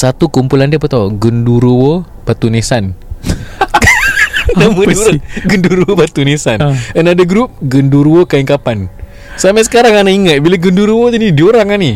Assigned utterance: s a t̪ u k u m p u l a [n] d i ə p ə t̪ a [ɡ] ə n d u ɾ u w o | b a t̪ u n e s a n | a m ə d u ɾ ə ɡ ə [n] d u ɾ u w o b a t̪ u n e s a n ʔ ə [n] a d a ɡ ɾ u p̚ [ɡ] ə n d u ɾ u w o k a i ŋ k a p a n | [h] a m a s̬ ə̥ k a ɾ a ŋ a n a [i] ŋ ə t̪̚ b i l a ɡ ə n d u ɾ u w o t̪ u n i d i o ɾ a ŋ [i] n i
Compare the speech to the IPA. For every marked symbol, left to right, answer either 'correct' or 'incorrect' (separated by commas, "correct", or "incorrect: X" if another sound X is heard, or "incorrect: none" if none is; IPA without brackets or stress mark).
correct, correct, correct, correct, correct, incorrect: s, correct, incorrect: a